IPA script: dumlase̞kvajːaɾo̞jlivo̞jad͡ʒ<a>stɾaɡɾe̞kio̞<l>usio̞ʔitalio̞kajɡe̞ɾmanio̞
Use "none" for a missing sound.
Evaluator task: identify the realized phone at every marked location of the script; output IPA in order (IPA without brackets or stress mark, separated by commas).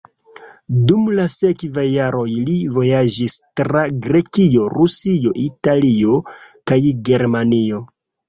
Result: i, ɾ